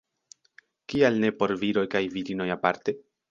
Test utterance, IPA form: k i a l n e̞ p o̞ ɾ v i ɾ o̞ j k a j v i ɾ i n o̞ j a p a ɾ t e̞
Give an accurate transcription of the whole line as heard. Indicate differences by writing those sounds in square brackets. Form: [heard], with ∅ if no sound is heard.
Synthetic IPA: k i a l n e̞ p o̞ ɾ v i ɾ o̞ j k a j v i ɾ i n o̞ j a p a ɾ t e̞